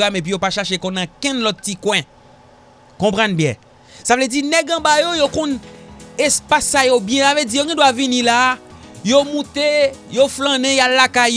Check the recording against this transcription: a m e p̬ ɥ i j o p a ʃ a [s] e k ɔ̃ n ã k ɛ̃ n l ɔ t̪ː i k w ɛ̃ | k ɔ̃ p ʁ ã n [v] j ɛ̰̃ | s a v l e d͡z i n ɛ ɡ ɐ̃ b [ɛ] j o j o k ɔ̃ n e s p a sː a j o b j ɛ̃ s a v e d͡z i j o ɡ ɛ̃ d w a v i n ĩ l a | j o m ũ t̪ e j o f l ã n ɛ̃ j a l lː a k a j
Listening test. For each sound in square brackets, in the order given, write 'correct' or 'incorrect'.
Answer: incorrect: ʃ, incorrect: b, incorrect: a

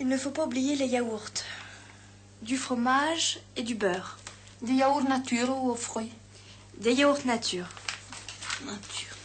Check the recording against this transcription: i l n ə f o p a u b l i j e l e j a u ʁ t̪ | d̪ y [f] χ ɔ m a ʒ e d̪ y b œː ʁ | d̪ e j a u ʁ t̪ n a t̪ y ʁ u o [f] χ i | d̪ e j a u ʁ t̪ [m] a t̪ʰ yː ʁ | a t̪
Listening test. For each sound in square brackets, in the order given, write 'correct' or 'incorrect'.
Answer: correct, correct, incorrect: n

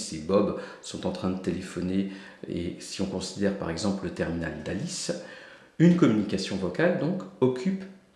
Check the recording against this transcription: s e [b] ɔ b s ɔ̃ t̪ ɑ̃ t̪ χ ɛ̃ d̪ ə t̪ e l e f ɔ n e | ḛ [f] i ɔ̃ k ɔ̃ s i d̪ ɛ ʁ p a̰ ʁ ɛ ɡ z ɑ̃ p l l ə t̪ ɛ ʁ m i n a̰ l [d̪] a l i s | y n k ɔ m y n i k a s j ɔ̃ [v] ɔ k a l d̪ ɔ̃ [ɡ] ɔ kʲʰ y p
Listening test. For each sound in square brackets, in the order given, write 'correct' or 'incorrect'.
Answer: correct, incorrect: s, correct, correct, incorrect: k

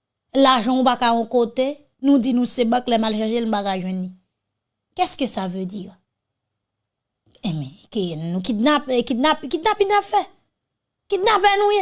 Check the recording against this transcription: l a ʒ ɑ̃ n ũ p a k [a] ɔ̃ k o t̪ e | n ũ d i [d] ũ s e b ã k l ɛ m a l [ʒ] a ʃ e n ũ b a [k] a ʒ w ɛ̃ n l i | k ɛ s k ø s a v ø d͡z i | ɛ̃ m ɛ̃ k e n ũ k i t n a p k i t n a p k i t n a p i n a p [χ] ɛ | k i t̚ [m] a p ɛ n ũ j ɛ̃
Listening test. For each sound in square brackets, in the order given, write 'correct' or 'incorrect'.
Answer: correct, incorrect: n, incorrect: ʃ, correct, incorrect: f, incorrect: n

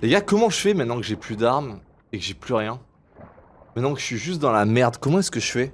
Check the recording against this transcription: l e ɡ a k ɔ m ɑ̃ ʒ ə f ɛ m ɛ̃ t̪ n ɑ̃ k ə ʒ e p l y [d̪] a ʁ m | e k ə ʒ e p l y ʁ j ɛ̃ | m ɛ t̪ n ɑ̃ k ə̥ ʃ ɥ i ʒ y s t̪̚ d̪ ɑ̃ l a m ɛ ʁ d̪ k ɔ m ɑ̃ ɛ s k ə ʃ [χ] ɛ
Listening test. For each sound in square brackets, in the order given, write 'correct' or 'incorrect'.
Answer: correct, incorrect: f

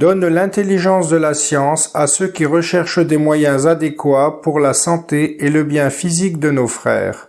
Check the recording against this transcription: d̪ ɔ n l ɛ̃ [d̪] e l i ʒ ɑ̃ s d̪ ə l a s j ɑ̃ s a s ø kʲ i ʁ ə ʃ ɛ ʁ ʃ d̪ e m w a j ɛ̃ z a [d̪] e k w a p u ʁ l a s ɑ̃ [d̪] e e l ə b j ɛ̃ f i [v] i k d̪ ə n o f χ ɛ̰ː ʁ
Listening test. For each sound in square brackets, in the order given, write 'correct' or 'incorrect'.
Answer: incorrect: t̪, correct, incorrect: t̪, incorrect: z

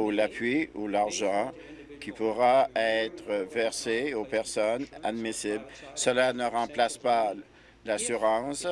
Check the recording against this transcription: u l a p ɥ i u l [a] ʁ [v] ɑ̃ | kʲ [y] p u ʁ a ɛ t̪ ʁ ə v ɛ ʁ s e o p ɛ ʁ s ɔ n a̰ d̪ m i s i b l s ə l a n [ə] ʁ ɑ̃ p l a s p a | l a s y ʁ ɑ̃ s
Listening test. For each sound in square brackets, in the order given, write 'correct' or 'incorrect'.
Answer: correct, incorrect: ʒ, incorrect: i, correct

